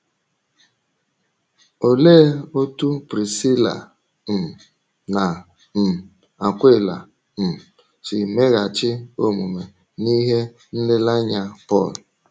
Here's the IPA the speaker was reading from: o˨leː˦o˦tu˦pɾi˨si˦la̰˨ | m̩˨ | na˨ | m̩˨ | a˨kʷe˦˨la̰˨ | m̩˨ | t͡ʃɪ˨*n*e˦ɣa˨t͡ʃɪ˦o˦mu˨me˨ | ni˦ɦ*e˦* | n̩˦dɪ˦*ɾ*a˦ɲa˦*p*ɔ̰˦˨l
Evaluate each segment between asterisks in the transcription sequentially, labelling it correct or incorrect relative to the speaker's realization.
incorrect: m, correct, incorrect: l, correct

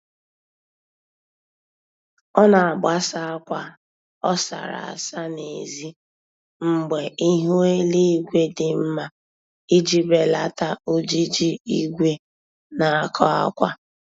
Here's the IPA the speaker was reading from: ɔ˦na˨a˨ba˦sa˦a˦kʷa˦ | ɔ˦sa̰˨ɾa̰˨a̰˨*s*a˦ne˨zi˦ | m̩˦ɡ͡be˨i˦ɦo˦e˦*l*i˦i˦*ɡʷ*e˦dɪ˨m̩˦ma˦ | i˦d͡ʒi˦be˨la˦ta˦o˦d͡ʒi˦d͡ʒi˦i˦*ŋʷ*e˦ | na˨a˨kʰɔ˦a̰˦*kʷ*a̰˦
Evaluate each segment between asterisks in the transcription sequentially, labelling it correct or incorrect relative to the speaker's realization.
correct, correct, correct, incorrect: ɡʷ, correct

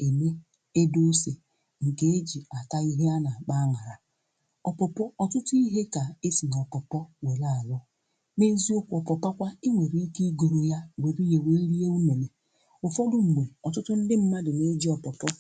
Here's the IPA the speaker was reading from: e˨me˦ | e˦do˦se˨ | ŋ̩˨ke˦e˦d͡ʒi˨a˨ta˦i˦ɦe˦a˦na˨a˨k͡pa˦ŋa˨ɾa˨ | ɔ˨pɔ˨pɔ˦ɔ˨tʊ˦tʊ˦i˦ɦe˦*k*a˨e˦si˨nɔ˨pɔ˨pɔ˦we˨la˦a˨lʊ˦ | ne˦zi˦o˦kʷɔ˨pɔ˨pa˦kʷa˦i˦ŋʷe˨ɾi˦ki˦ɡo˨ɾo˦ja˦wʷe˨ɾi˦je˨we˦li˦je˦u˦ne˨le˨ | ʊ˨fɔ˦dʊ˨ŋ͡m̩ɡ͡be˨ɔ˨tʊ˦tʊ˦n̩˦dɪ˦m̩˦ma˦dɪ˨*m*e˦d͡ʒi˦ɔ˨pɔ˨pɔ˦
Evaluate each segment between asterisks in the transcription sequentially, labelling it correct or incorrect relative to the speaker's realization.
correct, incorrect: n

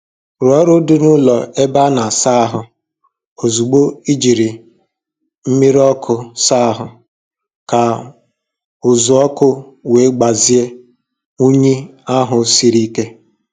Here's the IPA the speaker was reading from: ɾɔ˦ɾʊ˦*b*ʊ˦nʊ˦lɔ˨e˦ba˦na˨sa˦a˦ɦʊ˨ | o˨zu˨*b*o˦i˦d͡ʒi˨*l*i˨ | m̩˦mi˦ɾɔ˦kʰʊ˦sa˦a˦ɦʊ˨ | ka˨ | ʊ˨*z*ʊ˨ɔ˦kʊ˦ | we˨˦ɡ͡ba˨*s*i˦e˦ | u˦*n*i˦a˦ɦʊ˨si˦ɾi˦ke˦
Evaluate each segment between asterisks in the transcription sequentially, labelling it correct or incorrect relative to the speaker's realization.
incorrect: d, incorrect: ɡ͡b, incorrect: ɾ, correct, incorrect: z, incorrect: ɲ

